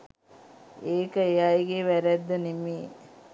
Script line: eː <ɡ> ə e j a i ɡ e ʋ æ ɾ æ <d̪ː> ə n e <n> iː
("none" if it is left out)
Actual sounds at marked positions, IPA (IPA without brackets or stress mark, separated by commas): k, d̪ː, m